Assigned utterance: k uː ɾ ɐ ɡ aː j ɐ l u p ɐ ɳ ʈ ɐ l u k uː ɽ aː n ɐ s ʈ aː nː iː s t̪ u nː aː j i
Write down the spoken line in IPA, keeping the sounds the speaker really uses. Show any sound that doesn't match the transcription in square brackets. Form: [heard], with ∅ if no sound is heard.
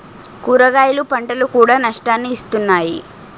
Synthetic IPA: k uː ɾ ɐ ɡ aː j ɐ l u p ɐ ɳ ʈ ɐ l u k uː ɽ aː n ɐ [ʂ] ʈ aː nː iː s t̪ u nː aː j i